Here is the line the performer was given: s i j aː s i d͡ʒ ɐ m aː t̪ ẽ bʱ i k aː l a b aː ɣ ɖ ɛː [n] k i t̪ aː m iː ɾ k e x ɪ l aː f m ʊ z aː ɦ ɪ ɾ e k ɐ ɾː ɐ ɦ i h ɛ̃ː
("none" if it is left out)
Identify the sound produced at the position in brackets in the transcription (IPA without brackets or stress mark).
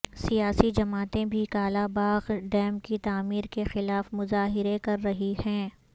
m